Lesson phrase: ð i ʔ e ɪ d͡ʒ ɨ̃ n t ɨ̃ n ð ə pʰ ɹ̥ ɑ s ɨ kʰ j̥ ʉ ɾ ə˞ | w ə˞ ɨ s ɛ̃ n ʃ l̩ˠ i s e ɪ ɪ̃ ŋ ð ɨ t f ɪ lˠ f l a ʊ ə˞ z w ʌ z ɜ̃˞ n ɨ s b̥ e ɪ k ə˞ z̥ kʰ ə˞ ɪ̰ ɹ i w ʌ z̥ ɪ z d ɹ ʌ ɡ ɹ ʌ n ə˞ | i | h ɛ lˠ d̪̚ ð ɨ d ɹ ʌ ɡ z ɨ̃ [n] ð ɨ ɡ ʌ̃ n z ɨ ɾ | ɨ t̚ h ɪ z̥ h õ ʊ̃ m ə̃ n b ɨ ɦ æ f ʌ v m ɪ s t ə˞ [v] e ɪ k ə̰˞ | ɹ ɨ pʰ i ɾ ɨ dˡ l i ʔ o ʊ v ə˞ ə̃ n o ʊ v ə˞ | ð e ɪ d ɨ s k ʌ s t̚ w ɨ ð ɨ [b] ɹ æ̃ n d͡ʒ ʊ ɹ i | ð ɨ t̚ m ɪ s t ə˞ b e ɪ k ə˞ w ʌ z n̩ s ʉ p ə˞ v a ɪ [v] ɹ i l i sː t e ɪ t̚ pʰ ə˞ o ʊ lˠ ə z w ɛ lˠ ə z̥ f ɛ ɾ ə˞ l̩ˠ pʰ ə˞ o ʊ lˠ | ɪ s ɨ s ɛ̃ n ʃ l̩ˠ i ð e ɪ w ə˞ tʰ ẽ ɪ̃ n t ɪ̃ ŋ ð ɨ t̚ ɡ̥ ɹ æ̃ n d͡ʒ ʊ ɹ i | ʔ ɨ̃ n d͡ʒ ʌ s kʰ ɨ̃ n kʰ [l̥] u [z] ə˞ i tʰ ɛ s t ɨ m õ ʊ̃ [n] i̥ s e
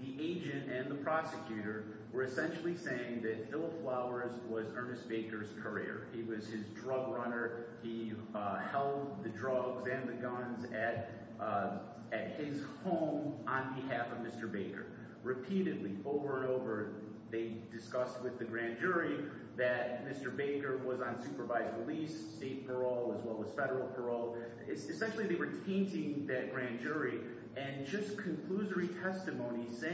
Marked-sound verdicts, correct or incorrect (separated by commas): correct, incorrect, incorrect, incorrect, correct, correct, correct